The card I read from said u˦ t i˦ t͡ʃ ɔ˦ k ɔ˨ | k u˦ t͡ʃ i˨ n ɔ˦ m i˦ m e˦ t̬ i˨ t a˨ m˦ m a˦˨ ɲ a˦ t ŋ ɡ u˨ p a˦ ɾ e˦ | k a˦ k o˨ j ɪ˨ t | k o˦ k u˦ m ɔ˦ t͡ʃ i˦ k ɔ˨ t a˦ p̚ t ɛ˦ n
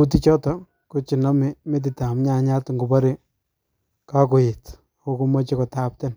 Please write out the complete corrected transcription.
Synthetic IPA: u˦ t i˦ t͡ʃ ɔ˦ t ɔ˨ | k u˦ t͡ʃ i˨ n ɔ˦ m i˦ m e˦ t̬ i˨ t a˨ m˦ ɲ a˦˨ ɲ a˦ t ŋ ɡ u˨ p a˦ ɾ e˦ | k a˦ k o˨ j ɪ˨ t | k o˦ k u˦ m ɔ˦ t͡ʃ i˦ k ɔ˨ t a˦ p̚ t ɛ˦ n